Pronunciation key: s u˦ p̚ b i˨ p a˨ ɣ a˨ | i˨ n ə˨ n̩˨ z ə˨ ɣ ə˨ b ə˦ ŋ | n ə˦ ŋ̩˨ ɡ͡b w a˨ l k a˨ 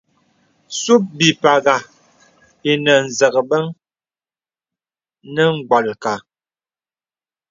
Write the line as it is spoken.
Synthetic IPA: s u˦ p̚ b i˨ p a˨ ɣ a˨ | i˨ n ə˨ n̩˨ z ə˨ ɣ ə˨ b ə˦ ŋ | n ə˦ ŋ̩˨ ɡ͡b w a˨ l k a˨